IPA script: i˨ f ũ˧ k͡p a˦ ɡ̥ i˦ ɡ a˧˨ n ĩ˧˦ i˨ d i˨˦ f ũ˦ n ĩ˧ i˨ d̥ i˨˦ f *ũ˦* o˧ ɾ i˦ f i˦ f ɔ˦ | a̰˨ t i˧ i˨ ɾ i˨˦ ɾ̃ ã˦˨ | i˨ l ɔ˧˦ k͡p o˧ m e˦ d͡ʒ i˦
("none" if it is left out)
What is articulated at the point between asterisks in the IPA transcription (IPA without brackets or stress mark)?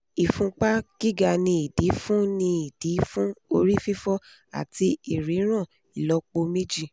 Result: ũ˦